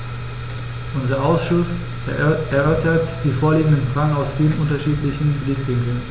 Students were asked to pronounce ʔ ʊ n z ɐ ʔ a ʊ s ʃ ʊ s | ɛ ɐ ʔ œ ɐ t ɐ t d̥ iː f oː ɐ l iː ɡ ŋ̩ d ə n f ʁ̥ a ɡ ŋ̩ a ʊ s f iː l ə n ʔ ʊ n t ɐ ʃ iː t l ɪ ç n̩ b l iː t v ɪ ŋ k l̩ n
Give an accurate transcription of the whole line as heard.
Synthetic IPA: ʔ ʊ n z ɐ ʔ a ʊ s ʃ ʊ s | ɛ ɐ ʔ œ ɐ t ɐ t d̥ iː f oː ɐ l iː ɡ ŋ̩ d ə n f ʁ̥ a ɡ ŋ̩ a ʊ s f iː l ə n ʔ ʊ n t ɐ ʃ iː t l ɪ ç n̩ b l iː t v ɪ ŋ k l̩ n